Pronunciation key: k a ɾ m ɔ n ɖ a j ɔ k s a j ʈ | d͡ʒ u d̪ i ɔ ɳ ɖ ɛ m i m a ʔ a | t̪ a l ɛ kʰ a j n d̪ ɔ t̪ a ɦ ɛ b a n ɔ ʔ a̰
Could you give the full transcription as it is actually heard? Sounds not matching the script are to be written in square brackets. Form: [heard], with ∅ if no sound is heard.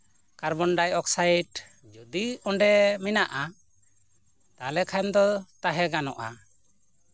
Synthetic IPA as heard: k a ɾ [b] ɔ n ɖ a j ɔ k s a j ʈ | d͡ʒ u d̪ i ɔ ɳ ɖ ɛ m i [n] a ʔ a | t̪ a l ɛ kʰ a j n d̪ ɔ t̪ a ɦ ɛ [ɡ] a n ɔ ʔ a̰